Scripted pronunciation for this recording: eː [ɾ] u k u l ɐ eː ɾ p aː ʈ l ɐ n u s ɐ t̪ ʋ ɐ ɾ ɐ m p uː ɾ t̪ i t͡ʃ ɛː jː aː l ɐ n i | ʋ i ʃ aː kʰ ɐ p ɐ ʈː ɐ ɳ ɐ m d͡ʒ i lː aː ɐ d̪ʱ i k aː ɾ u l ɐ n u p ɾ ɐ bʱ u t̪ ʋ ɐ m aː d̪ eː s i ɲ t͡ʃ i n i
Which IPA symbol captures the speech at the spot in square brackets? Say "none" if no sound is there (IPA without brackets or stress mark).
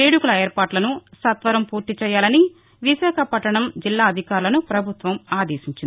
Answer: ɽ